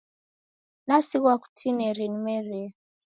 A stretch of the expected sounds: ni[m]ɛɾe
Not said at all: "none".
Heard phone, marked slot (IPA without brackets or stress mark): m